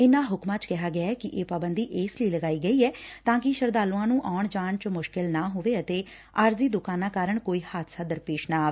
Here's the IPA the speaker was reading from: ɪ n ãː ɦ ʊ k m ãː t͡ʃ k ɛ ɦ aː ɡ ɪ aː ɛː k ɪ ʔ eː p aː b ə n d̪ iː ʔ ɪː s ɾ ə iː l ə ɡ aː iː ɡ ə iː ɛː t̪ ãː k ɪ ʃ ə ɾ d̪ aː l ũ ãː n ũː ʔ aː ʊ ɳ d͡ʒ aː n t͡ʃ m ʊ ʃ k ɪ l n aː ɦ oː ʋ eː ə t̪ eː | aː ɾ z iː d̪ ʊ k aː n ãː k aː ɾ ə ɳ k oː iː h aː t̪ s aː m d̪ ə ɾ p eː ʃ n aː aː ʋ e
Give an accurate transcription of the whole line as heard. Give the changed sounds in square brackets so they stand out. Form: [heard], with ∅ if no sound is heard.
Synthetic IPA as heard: ɪ n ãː ɦ ʊ k m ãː t͡ʃ k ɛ ɦ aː ɡ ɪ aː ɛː k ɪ ʔ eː p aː b ə n d̪ iː ʔ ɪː s [l] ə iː l ə ɡ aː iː ɡ ə iː ɛː t̪ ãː k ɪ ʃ ə ɾ d̪ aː l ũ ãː n ũː ʔ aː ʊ ɳ d͡ʒ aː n t͡ʃ m ʊ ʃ k ɪ l n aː ɦ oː ʋ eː ə t̪ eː | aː ɾ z iː d̪ ʊ k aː n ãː k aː ɾ ə ɳ k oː iː h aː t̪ s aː [∅] d̪ ə ɾ p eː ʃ n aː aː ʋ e